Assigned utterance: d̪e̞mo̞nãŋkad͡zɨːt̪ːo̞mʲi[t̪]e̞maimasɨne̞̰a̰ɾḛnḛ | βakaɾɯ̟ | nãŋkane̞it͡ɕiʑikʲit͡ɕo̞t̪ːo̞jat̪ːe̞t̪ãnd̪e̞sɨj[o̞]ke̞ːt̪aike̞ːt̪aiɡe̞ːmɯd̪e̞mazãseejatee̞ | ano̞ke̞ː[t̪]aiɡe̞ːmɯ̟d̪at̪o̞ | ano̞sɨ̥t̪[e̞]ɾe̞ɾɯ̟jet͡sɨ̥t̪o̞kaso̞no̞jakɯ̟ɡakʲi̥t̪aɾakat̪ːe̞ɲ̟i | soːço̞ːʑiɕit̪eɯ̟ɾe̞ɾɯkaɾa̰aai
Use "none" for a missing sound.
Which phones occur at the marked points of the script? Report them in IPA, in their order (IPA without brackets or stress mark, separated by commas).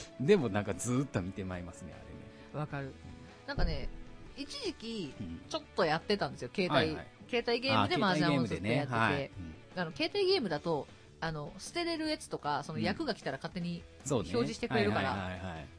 t̪, o̞, t̪, e̞